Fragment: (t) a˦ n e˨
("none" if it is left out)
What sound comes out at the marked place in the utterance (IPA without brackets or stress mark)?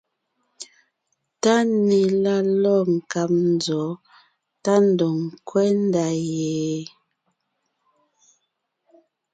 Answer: t